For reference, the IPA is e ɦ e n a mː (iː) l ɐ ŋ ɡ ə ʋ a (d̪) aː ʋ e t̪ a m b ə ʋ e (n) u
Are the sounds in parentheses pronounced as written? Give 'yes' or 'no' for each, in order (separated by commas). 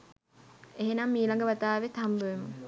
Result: yes, no, no